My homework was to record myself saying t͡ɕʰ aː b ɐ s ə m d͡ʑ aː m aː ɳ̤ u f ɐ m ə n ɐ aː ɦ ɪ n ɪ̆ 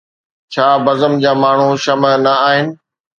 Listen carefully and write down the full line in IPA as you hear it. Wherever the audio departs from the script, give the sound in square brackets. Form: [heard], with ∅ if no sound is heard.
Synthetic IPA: t͡ɕʰ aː b ɐ [z] ə m d͡ʑ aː m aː ɳ̤ u [ʃ] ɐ m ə n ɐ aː ɦ ɪ n ɪ̆